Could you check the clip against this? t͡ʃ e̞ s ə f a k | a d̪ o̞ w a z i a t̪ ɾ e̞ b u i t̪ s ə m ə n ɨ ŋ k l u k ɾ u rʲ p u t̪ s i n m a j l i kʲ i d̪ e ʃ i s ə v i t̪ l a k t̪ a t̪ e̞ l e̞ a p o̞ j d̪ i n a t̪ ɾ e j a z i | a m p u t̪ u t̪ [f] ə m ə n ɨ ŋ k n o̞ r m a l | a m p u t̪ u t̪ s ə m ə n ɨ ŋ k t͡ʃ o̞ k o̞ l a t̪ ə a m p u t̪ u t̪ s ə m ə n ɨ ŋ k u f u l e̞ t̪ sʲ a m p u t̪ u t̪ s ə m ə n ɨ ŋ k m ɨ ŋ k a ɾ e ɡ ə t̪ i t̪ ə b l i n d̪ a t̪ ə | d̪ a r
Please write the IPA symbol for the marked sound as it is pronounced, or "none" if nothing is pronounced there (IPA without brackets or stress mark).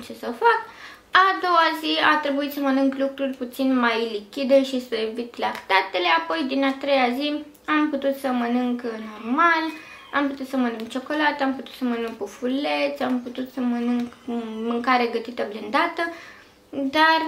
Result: s